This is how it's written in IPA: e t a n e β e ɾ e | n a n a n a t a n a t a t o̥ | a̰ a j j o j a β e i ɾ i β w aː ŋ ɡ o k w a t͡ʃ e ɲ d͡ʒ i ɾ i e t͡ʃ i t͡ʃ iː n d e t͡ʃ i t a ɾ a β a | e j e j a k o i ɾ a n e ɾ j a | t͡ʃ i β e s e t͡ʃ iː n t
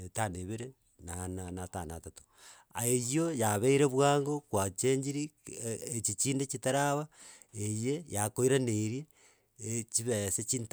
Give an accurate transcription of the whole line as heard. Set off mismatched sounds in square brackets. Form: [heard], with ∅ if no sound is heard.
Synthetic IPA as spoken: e t a n e β e ɾ e | n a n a n a t a n a t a t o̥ | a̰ [e] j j o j a β e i ɾ [e] β w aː ŋ ɡ o k w a t͡ʃ e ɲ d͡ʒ i ɾ i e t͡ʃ i t͡ʃ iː n d e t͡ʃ i t a ɾ a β a | e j e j a k o i ɾ a n e ɾ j [e] | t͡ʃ i β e s e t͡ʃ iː n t

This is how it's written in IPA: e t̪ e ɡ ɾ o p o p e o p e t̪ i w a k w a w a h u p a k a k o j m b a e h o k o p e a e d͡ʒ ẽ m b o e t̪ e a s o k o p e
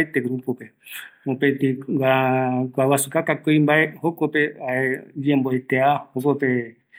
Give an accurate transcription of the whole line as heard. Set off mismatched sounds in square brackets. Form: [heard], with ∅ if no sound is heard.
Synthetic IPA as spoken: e t̪ e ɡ ɾ [u] p o p e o p e t̪ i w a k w a w a [s] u [k] a k a k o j m b a e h o k o p e a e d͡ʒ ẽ m b o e t̪ e a [h] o k o p e

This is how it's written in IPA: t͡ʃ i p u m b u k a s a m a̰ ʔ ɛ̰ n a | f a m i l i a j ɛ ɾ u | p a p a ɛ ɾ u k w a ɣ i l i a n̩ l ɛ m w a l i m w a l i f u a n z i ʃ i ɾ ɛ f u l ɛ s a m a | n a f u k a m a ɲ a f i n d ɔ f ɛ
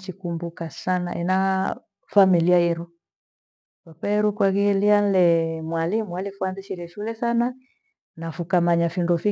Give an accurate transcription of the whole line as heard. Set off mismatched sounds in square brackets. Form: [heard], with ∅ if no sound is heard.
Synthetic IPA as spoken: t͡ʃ i [k] u m b u k a s a [n] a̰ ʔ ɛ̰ n a | f a m i l i a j ɛ ɾ u | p a p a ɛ ɾ u k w a ɣ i l i a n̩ l ɛ m w a l i m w a l i f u a n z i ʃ i ɾ ɛ [ʃ] u l ɛ s a [n] a | n a f u k a m a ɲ a f i n d ɔ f [i]

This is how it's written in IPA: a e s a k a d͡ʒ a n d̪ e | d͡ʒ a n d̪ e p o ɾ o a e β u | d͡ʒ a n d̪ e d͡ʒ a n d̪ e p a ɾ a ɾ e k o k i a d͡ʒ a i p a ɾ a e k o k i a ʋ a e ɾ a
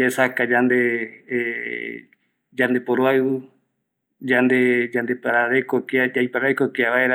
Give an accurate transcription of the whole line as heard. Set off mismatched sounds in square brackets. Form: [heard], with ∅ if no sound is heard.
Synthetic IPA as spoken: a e s a k a d͡ʒ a n d̪ e | d͡ʒ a n d̪ e p o ɾ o a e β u | d͡ʒ a n d̪ e d͡ʒ a n d̪ e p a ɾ a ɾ e k o k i a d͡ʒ a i p a ɾ a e k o k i a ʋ a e ɾ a

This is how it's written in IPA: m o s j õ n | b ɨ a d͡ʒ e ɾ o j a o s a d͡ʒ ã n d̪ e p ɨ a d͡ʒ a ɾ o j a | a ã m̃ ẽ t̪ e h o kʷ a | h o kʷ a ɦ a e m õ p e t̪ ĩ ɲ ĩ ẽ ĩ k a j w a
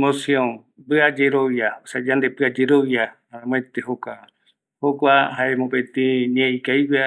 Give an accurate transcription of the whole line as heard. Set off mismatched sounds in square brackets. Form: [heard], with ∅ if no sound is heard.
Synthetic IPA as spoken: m o s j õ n | b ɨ a d͡ʒ e ɾ o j a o s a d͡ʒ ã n d̪ e p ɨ a d͡ʒ [e] ɾ o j a | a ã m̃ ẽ t̪ e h o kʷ a | h o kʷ a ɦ a e m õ p e t̪ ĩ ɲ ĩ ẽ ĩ k a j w a

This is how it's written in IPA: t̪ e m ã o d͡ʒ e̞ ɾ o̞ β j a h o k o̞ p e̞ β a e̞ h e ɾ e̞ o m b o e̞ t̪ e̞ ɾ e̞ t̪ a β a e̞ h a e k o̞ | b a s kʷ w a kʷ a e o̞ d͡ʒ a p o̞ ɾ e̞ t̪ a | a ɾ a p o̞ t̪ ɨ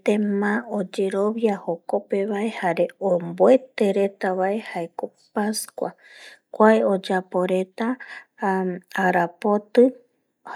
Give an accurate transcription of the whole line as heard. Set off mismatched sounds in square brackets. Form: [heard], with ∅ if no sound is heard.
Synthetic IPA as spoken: t̪ e m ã o d͡ʒ e̞ ɾ o̞ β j a h o k o̞ p e̞ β a e̞ h [a] ɾ e̞ o m b o e̞ t̪ e̞ ɾ e̞ t̪ a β a e̞ h a e k o̞ | [p] a s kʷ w a kʷ a e o̞ d͡ʒ a p o̞ ɾ e̞ t̪ a | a ɾ a p o̞ t̪ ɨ

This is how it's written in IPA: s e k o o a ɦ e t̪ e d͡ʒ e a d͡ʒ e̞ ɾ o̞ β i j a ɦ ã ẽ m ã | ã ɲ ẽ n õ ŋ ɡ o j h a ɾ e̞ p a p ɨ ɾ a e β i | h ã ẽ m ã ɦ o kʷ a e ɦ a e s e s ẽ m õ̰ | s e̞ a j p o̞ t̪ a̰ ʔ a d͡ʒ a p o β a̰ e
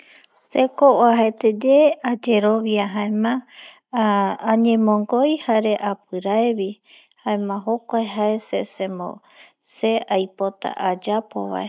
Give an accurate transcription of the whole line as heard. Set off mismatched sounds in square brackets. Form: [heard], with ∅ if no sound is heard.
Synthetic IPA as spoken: s e k o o a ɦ e t̪ e d͡ʒ e a d͡ʒ e̞ ɾ o̞ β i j a ɦ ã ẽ m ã | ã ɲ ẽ [m] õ ŋ ɡ o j h a ɾ e̞ [ʔ] a p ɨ ɾ a e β i | h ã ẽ m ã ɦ o kʷ a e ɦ a e s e s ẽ m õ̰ | s e̞ a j p o̞ t̪ a̰ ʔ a d͡ʒ a p o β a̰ e

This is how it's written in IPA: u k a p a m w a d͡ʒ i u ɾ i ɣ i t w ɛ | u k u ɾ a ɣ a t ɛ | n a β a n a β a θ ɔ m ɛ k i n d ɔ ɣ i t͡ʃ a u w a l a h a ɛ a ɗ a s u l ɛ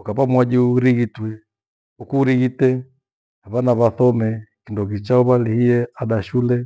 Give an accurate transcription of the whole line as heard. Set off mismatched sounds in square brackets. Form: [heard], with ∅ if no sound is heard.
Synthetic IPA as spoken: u k a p a m w a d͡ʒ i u ɾ i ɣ i t w ɛ | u k u ɾ [i] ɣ [i] t ɛ | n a β a n a β a θ ɔ m ɛ k i n d ɔ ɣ i t͡ʃ a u [β] a l [i] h [i] ɛ a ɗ a [ʃ] u l ɛ

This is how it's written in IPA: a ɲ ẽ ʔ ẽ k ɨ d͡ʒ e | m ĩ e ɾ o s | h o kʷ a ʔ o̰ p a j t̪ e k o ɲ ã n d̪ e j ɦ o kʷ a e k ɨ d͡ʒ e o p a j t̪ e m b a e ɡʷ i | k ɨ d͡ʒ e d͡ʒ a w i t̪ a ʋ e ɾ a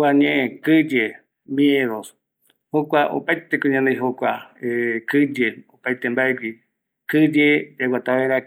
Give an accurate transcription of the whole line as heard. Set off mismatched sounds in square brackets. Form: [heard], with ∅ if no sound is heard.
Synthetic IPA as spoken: a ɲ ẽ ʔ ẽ k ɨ d͡ʒ e | m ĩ e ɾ o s | h o kʷ a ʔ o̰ p a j t̪ e k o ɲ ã n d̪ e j ɦ o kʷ a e k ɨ d͡ʒ e o p a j t̪ e m b a e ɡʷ i | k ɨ d͡ʒ e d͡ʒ a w [a] t̪ a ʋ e ɾ a

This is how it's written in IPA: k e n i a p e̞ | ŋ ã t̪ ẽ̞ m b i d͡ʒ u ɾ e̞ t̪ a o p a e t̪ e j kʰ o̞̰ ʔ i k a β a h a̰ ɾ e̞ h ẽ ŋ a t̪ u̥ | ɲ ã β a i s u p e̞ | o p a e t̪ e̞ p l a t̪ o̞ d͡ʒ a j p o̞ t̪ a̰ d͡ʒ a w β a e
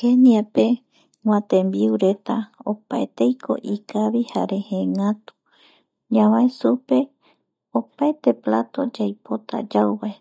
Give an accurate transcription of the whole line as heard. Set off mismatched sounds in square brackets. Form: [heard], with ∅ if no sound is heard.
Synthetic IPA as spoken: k e n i a p e̞ | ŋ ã t̪ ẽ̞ m b i [∅] u ɾ e̞ t̪ a o p a e t̪ e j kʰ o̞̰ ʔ i k a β [i] h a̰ ɾ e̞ h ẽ ŋ a t̪ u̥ | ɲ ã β a [e] s u p e̞ | o p a e t̪ e̞ p l a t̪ o̞ d͡ʒ a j p o̞ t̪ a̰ d͡ʒ a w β a e

